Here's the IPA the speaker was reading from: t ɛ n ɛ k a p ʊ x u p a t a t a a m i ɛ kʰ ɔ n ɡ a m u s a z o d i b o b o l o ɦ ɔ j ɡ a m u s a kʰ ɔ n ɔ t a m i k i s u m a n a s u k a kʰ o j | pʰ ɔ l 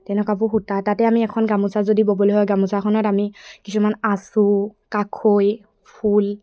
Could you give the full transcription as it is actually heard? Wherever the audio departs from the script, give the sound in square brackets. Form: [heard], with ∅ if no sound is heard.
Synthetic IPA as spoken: t ɛ n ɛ k a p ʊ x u [t] a t a t [ɛ] a m i ɛ kʰ ɔ n ɡ a m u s a z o d i b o b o l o ɦ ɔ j ɡ a m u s a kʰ ɔ n ɔ t a m i k i s u m a n a s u k a kʰ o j | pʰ [u] l